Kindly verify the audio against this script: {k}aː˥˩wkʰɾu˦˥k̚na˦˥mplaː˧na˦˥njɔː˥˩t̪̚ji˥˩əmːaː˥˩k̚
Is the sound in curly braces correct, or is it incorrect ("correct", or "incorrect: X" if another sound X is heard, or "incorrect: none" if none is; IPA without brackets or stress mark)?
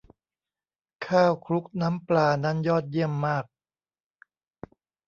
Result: incorrect: kʰ